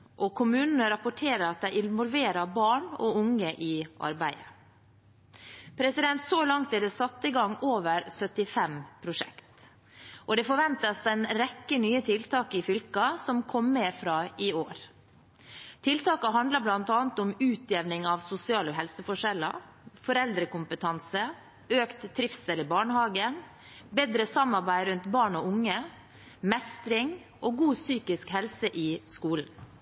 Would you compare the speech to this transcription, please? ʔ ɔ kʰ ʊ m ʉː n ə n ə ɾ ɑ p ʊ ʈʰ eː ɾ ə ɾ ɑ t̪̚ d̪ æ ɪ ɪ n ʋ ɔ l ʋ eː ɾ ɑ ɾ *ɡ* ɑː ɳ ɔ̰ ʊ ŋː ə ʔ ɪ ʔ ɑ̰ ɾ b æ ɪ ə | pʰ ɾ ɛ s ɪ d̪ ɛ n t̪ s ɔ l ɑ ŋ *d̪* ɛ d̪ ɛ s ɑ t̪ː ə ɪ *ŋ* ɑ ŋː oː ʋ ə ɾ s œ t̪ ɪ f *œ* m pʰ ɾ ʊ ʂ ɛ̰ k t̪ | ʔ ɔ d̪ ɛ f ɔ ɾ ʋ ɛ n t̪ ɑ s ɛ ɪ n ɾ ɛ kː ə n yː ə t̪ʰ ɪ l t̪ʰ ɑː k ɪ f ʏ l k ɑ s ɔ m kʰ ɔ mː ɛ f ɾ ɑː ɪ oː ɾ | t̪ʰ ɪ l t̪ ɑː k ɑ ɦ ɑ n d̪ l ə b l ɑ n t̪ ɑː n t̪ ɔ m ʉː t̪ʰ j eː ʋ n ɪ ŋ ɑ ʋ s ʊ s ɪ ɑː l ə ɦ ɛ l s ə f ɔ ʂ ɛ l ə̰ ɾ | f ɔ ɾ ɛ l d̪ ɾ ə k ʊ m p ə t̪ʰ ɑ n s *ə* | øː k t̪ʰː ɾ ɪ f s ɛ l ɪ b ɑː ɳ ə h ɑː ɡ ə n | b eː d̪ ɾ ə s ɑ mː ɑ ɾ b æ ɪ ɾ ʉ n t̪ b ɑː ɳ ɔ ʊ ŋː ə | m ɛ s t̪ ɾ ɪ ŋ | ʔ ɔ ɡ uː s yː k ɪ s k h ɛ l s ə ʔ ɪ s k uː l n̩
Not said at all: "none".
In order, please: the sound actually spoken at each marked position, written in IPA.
b, t̪, ɡ, ɛ, ə

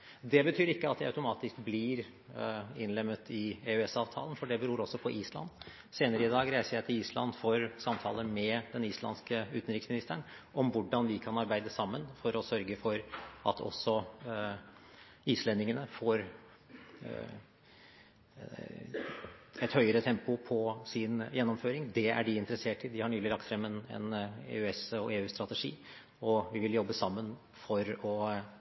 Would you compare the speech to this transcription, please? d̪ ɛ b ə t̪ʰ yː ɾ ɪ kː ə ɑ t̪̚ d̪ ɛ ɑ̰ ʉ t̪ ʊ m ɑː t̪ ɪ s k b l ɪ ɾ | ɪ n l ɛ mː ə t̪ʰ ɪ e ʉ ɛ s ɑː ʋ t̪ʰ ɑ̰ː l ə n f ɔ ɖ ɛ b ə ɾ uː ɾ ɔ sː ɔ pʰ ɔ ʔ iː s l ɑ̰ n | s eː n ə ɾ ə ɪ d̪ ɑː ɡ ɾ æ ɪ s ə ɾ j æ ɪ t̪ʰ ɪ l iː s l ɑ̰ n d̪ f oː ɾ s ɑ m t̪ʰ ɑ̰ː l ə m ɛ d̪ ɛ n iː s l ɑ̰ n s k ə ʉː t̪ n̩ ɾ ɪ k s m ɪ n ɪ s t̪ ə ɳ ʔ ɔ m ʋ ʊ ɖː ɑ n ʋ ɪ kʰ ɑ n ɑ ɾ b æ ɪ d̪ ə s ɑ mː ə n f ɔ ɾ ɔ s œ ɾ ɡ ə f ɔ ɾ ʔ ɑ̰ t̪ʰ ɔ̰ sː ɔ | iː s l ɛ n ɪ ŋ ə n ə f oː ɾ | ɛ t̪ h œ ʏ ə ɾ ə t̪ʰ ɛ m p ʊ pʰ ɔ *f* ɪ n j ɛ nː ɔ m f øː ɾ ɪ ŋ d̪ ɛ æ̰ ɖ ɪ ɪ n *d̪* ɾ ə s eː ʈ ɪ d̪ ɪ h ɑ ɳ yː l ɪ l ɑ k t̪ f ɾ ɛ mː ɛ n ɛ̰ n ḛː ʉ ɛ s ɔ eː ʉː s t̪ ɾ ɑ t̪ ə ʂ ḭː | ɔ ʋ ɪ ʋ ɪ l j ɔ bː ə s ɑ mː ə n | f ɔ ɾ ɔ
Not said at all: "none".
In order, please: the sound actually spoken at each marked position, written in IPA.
s, t̪

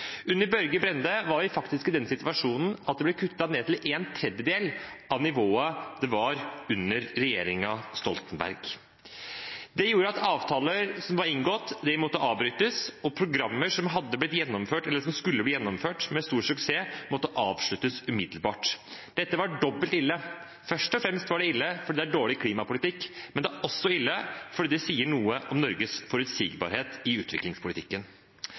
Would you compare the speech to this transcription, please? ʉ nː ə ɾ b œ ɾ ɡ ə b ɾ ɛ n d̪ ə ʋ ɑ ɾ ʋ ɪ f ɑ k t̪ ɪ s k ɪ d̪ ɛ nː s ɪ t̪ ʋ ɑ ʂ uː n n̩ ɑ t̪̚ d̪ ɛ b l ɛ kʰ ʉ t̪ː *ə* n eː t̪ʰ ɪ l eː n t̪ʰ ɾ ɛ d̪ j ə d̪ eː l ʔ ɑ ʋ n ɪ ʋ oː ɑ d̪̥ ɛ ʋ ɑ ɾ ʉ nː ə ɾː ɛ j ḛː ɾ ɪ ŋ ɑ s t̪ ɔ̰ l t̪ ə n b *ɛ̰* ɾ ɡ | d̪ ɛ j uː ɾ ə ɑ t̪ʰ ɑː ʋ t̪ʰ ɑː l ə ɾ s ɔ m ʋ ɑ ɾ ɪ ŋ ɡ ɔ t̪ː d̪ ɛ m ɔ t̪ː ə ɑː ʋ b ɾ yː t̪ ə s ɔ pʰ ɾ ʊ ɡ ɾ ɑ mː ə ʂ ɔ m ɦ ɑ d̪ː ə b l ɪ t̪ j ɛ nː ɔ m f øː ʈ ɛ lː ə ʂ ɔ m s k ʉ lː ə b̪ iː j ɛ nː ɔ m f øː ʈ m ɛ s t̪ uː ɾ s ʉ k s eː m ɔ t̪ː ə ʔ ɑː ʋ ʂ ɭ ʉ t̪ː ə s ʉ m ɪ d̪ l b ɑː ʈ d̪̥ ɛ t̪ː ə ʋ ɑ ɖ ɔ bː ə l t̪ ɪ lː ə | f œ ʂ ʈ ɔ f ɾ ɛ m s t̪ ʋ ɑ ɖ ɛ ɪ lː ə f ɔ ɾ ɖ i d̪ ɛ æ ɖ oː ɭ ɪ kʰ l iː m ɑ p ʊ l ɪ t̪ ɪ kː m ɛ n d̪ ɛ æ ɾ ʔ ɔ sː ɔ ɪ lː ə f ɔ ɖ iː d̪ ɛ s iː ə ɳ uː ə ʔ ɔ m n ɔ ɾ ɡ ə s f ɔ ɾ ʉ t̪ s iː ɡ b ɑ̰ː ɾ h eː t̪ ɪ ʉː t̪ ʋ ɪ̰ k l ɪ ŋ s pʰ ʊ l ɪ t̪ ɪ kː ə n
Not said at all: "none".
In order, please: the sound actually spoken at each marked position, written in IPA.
ɑ, æ̰

